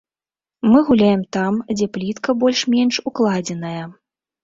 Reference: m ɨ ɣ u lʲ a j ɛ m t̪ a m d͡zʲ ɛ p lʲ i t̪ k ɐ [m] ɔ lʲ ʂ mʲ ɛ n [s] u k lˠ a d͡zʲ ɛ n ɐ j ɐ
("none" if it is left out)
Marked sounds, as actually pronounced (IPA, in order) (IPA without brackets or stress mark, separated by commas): b, ʂ